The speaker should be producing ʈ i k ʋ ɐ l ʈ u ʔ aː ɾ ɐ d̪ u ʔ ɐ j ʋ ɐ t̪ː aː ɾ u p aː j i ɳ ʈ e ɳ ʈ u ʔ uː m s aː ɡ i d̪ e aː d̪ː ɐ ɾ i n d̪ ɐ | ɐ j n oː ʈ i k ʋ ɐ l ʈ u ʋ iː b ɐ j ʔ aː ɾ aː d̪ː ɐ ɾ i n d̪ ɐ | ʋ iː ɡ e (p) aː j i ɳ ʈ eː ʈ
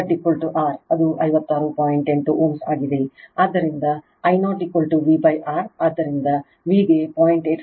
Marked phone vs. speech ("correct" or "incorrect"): correct